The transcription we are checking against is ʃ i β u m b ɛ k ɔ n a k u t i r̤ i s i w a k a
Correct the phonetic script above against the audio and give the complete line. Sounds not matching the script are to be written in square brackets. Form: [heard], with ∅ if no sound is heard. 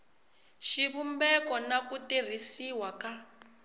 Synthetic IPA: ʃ i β u m b ɛ k ɔ n a k u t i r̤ i s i w a k a